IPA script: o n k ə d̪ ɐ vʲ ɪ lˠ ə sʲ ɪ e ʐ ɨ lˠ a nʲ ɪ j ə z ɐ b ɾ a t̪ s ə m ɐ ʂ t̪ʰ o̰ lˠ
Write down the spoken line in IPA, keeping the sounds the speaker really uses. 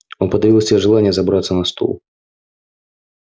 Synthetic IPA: o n p ə d̪ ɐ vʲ i lˠ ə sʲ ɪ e ʐ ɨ lˠ a nʲ ɪ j ə z ɐ b ɾ a t̪ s ə n ɐ s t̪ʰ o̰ lˠ